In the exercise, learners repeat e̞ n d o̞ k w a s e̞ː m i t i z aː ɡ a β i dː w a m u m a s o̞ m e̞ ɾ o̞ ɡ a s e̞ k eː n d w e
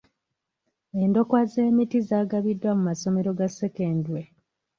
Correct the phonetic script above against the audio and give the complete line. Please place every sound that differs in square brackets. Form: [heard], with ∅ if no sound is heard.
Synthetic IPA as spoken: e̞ n d o̞ k w a [z] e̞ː m i t i z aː ɡ a β i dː w a m u m a s o̞ m e̞ ɾ o̞ ɡ a s e̞ k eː n d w e